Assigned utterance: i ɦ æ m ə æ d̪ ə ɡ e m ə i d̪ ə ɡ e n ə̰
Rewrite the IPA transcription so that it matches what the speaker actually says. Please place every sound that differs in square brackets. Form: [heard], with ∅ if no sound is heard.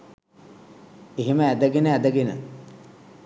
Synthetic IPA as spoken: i ɦ [i] m ə æ d̪ ə ɡ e [n] ə [æ] d̪ ə ɡ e n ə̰